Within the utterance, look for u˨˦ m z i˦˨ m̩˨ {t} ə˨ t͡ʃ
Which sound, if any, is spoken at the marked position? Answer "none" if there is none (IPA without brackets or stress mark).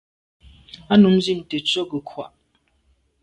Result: t